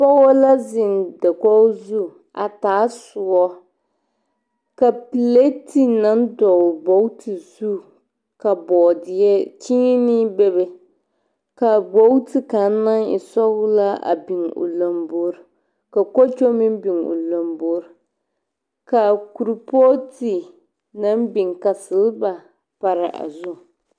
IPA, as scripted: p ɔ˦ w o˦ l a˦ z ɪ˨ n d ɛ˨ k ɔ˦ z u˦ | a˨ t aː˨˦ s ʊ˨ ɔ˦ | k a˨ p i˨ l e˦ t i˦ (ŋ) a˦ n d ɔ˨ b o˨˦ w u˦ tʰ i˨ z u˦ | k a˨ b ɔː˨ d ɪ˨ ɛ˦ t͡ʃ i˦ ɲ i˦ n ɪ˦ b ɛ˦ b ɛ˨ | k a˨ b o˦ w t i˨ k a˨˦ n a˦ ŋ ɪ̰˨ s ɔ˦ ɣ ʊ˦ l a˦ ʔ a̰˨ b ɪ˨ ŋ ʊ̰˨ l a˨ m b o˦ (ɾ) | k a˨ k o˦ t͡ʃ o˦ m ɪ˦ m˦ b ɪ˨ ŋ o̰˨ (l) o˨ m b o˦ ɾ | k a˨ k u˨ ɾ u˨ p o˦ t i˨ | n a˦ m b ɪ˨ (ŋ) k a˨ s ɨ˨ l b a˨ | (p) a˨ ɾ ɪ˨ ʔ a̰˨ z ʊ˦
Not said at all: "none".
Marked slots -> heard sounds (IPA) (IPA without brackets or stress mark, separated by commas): n, ɾ, l, ŋ, p